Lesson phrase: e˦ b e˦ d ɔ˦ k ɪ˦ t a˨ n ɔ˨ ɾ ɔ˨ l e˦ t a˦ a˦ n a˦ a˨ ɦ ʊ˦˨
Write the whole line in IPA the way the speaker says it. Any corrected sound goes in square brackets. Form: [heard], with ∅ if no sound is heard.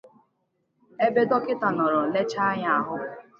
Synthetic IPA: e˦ b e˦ d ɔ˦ k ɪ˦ t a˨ n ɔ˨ ɾ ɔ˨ l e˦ [t͡ʃ] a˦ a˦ [ɲ] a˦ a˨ ɦ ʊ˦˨

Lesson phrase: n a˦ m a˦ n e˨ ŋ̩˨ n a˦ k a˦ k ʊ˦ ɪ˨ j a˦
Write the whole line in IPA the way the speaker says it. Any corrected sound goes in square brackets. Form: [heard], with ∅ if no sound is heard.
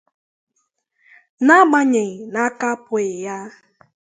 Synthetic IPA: n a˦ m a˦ [ɲ] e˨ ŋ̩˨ n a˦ k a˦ [p] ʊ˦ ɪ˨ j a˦

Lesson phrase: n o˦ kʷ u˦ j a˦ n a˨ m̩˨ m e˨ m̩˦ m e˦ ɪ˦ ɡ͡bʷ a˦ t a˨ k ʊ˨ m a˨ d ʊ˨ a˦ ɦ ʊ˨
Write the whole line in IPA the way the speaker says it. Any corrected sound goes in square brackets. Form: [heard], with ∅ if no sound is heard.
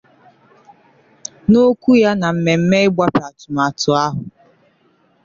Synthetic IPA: n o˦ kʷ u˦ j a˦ n a˨ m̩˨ m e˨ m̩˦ m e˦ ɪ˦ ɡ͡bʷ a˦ [p] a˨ [t] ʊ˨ m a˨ [t] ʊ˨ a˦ ɦ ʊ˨

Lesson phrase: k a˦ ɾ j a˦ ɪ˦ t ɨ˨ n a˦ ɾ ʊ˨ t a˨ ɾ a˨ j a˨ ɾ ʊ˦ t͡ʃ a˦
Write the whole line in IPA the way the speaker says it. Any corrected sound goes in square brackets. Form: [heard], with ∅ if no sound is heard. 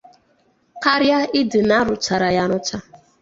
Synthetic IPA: k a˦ ɾ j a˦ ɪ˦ [d] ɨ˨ n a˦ ɾ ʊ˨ [t͡ʃ] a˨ ɾ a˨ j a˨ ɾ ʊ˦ t͡ʃ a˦

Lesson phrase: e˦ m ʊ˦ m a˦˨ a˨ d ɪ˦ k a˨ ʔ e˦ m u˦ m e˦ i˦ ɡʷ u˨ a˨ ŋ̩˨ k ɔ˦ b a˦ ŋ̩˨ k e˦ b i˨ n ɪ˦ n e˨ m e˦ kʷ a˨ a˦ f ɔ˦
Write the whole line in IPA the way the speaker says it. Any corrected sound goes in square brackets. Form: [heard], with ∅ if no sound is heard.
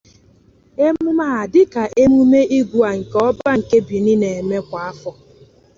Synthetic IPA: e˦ m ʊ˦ m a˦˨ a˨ d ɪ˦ k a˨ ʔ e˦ m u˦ m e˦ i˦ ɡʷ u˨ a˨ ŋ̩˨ k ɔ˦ b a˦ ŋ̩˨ k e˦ b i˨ n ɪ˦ n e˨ m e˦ kʷ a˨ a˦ f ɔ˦

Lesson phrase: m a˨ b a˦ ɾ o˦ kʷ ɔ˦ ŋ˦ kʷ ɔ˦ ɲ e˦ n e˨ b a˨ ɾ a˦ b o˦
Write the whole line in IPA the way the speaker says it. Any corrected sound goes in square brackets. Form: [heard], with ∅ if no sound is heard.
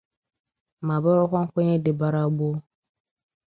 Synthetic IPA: m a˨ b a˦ ɾ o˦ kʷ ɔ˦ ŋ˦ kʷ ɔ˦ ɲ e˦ [d] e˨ b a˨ ɾ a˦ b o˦

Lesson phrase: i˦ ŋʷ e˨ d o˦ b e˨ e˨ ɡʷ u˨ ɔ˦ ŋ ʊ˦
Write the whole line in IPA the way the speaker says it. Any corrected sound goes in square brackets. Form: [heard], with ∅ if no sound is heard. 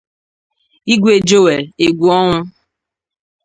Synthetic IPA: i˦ [ɡʷ] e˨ [d͡ʒ] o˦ [w] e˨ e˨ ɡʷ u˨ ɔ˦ ŋ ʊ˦

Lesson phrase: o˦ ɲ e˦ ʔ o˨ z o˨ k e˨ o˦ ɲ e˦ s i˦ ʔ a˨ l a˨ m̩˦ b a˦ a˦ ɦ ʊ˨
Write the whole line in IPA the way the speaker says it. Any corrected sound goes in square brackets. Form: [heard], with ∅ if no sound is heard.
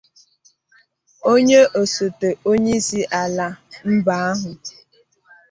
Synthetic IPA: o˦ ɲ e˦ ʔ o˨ [s] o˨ [t] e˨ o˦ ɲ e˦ s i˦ ʔ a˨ l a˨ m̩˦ b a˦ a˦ ɦ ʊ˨

